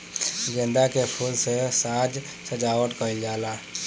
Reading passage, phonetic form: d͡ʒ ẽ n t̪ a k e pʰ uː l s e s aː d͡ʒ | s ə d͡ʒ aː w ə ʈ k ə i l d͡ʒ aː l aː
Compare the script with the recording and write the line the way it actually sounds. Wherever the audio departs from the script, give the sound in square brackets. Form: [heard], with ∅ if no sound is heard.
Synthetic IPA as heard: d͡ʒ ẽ n [d̪] a k e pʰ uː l s e s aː d͡ʒ | s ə d͡ʒ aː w ə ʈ k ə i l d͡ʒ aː l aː